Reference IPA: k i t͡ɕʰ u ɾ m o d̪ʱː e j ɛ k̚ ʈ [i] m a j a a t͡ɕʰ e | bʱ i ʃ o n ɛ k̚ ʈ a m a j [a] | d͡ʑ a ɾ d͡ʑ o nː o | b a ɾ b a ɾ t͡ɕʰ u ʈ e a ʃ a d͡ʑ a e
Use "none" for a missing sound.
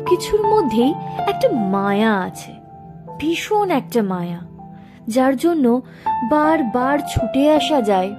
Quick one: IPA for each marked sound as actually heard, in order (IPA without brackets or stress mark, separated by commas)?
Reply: a, a